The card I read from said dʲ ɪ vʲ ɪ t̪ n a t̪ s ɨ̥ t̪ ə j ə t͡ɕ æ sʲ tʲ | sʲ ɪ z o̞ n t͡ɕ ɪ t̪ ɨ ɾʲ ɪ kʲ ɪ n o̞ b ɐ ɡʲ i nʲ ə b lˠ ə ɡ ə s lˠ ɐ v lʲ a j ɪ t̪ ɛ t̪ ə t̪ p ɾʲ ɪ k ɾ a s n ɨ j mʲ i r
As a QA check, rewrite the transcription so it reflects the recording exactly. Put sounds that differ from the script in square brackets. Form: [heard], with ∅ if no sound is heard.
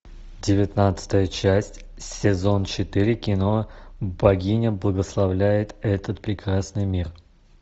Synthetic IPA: dʲ ɪ vʲ ɪ t̪ n a t̪ s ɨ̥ t̪ ə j ə t͡ɕ æ sʲ tʲ | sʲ ɪ z o̞ n t͡ɕ ɪ t̪ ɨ ɾʲ ɪ kʲ ɪ n o̞ b ɐ ɡʲ i nʲ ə b lˠ ə ɡ ə s lˠ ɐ v lʲ [æ] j ɪ t̪ ɛ t̪ ə t̪ p ɾʲ ɪ k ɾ a s n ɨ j mʲ i r